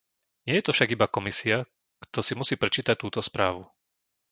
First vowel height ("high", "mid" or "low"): high